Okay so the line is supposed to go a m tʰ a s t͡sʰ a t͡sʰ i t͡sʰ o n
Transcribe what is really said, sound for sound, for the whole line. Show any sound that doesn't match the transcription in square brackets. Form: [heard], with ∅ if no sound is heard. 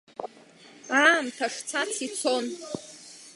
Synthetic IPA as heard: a m tʰ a [ʂ] t͡sʰ a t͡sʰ i t͡sʰ o n